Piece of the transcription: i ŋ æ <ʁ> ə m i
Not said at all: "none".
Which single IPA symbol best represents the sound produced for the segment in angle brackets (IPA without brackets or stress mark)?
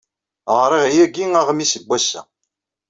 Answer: ʁ